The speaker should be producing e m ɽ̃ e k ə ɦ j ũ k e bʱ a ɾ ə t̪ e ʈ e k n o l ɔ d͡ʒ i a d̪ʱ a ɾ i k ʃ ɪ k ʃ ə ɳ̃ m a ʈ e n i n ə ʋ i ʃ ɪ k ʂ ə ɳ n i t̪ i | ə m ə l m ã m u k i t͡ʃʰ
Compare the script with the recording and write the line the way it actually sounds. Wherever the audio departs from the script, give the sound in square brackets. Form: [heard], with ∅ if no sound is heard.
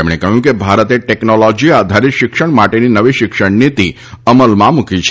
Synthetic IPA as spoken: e m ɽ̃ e k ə ɦ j ũ k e bʱ a ɾ ə t̪ e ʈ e k n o l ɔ d͡ʒ i a d̪ʱ a ɾ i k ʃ ɪ k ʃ ə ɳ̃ m a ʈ e n i n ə ʋ i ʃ ɪ k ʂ ə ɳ n i t̪ i | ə m ə l m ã m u k i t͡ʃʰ